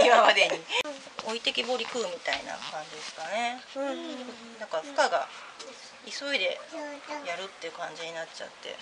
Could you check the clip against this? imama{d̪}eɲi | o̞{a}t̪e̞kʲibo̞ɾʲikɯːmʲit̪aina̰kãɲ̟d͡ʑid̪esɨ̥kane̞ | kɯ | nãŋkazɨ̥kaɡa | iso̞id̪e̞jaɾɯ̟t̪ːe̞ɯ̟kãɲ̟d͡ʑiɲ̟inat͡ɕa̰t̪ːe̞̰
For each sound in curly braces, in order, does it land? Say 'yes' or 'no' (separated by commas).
yes, no